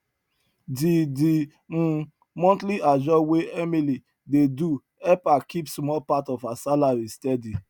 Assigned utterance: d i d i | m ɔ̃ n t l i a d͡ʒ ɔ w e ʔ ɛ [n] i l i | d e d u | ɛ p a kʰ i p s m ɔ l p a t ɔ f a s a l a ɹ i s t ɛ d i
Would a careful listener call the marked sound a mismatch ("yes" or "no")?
yes